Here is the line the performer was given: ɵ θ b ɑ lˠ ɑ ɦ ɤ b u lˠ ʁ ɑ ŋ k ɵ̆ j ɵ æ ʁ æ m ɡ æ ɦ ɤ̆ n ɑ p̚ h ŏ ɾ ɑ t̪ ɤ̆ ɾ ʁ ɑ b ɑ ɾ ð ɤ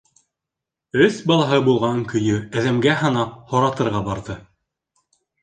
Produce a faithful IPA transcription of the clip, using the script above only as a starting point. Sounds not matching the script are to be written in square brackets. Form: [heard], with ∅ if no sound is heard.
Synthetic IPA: ɵ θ b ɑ lˠ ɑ ɦ ɤ b u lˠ ʁ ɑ ŋ k ɵ̆ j ɵ æ [ð] æ m ɡ æ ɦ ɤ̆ n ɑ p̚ h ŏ ɾ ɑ t̪ ɤ̆ ɾ ʁ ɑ b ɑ ɾ ð ɤ